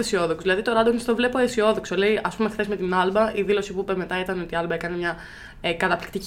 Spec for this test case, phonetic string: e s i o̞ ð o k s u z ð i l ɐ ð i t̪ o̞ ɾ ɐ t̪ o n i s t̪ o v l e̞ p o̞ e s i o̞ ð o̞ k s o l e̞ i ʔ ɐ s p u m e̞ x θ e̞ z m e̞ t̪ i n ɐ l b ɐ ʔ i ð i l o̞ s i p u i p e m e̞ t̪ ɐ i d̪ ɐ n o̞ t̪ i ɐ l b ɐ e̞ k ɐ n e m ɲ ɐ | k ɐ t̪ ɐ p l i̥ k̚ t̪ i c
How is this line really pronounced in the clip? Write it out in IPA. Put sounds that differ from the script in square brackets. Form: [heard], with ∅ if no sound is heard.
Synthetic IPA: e s i o̞ ð o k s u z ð i l ɐ ð i t̪ o̞ ɾ ɐ [d̪] o n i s t̪ o v l e̞ p o̞ e s i o̞ ð o̞ k s o l e̞ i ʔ ɐ s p u m e̞ x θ e̞ z m e̞ t̪ i n ɐ l b ɐ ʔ i ð i l o̞ s i p u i p e m e̞ t̪ ɐ i [t̪] ɐ n o̞ t̪ i ɐ l b ɐ e̞ k ɐ n e m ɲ ɐ | k ɐ t̪ ɐ p l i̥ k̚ t̪ i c